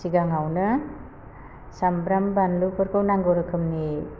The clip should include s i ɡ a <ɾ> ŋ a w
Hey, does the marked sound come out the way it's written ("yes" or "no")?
no